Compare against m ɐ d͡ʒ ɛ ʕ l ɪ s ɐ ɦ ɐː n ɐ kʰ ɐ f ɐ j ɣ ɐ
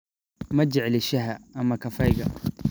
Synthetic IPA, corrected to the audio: m ɐ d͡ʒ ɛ ʕ l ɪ ʃ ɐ ɦ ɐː m ɐ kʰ ɐ f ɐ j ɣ ɐ